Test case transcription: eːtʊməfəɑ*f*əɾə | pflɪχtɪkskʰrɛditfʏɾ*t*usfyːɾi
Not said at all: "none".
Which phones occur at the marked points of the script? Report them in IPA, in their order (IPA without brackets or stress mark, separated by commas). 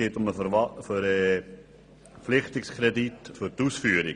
f, t